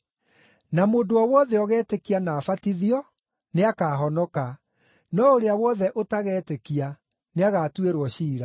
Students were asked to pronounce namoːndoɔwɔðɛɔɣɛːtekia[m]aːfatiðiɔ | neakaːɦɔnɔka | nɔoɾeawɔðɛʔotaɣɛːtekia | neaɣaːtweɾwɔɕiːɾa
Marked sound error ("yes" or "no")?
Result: yes